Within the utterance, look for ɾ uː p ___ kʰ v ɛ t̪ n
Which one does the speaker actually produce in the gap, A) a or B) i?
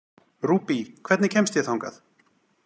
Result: B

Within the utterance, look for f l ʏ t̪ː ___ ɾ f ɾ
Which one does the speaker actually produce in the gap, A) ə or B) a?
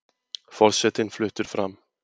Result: A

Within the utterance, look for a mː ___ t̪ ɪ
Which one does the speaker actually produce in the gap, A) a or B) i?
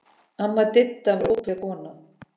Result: A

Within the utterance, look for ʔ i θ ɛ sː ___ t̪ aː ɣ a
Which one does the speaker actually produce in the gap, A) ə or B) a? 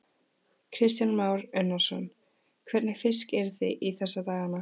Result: B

